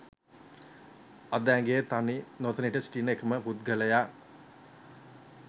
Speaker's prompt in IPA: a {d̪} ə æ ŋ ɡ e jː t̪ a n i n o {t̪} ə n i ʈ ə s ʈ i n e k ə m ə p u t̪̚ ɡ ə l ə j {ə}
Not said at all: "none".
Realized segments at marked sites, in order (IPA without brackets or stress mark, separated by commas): d̪, t̪, a